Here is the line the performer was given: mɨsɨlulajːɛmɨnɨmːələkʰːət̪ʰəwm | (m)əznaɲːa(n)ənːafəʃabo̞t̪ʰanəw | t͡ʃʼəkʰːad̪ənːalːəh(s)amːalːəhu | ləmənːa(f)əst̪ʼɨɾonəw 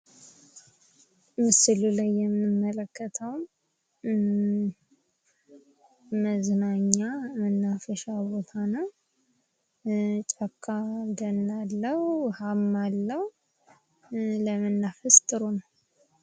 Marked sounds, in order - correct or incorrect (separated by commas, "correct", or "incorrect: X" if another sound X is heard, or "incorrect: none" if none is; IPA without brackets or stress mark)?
correct, incorrect: m, incorrect: h, correct